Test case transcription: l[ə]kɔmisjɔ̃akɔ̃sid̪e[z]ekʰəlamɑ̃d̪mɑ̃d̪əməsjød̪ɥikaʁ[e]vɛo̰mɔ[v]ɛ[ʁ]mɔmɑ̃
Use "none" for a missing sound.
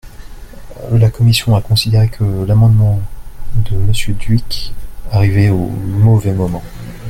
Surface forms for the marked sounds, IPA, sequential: a, ʁ, i, v, none

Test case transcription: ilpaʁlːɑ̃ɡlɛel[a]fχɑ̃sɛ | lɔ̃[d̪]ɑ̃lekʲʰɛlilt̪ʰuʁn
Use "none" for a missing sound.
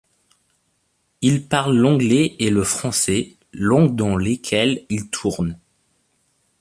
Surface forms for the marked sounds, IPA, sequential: ə, d̪

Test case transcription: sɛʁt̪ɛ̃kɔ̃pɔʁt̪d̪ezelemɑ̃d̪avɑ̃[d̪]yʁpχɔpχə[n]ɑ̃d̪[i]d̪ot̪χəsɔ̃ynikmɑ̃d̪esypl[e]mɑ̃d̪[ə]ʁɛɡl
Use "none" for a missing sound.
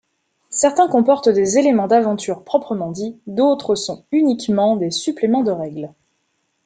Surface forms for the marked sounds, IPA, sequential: t̪, m, i, e, ə

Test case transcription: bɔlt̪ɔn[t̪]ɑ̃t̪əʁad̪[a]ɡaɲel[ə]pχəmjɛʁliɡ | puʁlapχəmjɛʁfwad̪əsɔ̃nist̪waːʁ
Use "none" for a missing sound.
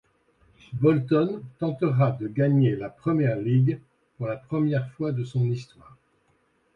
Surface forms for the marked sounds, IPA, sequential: t̪, ə, a

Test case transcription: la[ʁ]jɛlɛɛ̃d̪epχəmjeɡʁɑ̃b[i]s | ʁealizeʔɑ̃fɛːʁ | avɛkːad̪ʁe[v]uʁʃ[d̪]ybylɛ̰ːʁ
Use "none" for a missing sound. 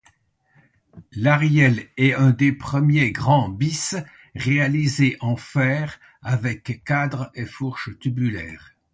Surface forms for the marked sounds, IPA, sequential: ʁ, i, f, t̪

